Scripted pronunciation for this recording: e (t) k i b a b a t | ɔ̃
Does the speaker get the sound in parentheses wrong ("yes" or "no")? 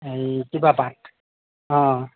yes